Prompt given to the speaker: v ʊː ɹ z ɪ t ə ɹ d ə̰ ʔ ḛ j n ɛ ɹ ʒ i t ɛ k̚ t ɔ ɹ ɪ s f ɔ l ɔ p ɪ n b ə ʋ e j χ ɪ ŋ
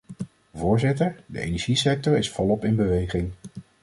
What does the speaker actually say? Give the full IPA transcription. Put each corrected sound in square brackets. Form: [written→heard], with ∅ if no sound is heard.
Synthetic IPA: v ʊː ɹ z ɪ t ə ɹ d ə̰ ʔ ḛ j n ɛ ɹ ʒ i [t→s] ɛ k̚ t ɔ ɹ ɪ s f ɔ l ɔ p ɪ n b ə ʋ e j χ ɪ ŋ